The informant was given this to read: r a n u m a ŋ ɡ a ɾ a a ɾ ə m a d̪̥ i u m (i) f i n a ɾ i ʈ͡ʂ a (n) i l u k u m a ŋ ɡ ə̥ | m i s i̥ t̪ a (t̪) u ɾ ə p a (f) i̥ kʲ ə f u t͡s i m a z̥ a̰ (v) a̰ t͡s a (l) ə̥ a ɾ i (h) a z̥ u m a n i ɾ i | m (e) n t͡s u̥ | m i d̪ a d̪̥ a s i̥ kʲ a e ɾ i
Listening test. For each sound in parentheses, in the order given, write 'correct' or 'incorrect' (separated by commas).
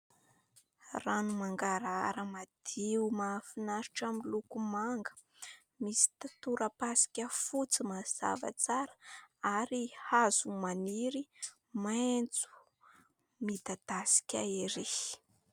incorrect, incorrect, correct, incorrect, correct, incorrect, correct, incorrect